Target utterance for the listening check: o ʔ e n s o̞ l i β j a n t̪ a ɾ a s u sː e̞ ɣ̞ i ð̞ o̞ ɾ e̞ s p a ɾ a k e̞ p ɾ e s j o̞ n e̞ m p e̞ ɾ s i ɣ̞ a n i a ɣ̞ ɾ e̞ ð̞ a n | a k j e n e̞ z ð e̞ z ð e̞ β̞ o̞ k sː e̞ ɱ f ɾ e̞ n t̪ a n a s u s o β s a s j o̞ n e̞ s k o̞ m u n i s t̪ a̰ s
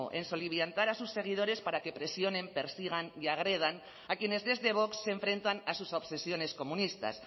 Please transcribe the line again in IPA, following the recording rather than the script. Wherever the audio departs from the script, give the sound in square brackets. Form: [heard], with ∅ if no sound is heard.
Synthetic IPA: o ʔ e n s o̞ l i β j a n t̪ a ɾ a s u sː e̞ ɣ̞ i ð̞ o̞ ɾ e̞ s p a ɾ a k e̞ p ɾ e s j o̞ n e̞ m p e̞ ɾ s i ɣ̞ a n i a ɣ̞ ɾ e̞ ð̞ a n | a k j e n e̞ z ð e̞ z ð e̞ β̞ o̞ k sː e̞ ɱ f ɾ e̞ n t̪ a n a s u s o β s [e] s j o̞ n e̞ s k o̞ m u n i s t̪ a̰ s